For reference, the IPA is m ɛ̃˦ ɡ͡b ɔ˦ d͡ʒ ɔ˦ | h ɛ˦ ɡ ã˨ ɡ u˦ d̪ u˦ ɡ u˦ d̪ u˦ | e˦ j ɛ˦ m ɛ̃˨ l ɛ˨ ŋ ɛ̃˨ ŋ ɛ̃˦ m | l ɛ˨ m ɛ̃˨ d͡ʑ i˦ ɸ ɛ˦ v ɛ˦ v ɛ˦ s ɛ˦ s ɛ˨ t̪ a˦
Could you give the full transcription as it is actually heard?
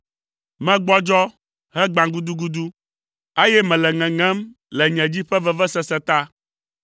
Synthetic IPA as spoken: m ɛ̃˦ ɡ͡b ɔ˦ d͡ʒ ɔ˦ | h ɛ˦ ɡ͡b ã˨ ɡ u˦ d̪ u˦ ɡ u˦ d̪ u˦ | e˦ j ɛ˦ m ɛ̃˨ l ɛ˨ ŋ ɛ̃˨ ŋ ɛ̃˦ m | l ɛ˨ ɲ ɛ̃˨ d͡ʑ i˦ ɸ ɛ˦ v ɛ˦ v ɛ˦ s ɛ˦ s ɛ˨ t̪ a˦